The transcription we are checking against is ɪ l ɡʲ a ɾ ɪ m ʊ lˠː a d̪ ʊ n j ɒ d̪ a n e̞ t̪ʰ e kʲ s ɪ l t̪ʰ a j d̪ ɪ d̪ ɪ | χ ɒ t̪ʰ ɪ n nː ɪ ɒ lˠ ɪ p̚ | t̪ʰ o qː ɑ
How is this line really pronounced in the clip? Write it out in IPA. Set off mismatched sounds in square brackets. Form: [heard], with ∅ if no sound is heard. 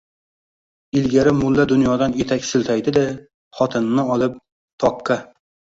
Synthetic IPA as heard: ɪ l ɡʲ a ɾ ɪ m ʊ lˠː a d̪ ʊ n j ɒ d̪ a n e̞ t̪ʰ [a] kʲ s ɪ l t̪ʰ a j d̪ ɪ d̪ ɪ | χ ɒ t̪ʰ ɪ n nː ɪ ɒ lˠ ɪ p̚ | t̪ʰ [ɒ] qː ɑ